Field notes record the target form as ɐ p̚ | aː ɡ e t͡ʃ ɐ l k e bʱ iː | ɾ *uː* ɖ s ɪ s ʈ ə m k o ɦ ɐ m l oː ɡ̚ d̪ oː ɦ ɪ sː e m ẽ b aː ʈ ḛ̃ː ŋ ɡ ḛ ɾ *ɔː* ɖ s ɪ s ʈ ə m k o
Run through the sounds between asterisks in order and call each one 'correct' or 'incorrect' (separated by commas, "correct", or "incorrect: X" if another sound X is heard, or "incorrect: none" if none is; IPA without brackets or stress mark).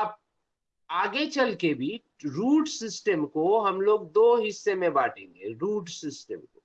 correct, incorrect: uː